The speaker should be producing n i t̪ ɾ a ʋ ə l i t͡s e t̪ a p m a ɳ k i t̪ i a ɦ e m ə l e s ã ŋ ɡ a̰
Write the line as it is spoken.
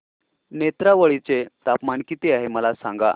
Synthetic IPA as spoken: n e t̪ ɾ a ʋ ə ɭ i t͡s e t̪ a p m a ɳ k i t̪ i a ɦ e m ə l a s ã ŋ ɡ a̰

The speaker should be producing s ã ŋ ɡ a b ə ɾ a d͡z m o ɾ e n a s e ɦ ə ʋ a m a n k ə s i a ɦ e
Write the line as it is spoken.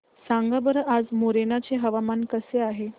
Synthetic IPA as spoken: s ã ŋ ɡ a b ə ɾ a d͡z m o ɾ e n a t͡s e ɦ ə ʋ a m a n k ə s e a ɦ e

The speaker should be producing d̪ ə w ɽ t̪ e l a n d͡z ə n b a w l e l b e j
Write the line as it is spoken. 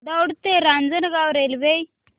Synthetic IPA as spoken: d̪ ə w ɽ t̪ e ɾ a n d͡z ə n ɡ a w ɾ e l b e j

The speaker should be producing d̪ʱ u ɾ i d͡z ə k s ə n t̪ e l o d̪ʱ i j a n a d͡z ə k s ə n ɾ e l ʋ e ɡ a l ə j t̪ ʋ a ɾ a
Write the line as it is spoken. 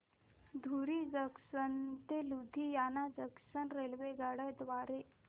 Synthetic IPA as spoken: d̪ʱ u ɾ i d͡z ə k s ə n t̪ e l u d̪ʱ i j a n a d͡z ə k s ə n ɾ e l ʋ e ɡ a ɽ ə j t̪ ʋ a ɾ e

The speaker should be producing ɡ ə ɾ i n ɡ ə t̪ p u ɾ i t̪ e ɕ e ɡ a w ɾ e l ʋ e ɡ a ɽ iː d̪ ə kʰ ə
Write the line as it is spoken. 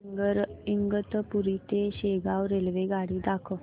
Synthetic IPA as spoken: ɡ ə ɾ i ŋ ɡ ə t̪ p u ɾ i t̪ e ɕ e ɡ a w ɾ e l ʋ e ɡ a ɽ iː d̪ a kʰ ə

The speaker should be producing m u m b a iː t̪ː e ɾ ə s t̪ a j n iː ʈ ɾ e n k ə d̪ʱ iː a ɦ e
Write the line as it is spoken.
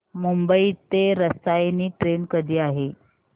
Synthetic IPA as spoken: m u m b ə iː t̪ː e ɾ ə s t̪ a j n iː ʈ ɾ e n k ə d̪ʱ iː a ɦ e

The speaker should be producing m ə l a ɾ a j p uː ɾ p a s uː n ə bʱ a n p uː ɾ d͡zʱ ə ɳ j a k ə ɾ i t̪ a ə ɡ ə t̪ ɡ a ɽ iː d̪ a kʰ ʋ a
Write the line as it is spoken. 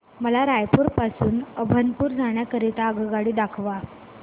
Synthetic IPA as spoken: m ə l a ɾ a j p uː ɾ p a s uː n ə bʱ ə n p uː ɾ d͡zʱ a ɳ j a k ə ɾ i t̪ a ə ɡ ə ɡ a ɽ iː d̪ a kʰ ʋ a

